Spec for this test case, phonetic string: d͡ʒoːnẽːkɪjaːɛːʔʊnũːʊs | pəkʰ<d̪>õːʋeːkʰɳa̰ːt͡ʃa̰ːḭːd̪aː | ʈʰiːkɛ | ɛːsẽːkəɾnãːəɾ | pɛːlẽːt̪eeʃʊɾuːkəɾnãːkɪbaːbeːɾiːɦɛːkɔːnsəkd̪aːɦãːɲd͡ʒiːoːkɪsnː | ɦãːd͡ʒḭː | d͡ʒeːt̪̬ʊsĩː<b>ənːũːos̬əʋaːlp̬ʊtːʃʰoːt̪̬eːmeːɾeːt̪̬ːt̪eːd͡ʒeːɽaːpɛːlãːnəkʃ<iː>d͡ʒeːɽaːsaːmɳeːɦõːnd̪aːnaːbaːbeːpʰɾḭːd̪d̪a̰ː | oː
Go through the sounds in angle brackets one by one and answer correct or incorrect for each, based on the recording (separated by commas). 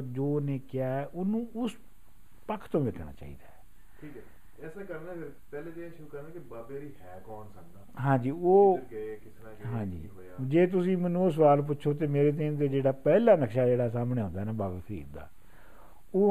incorrect, incorrect, incorrect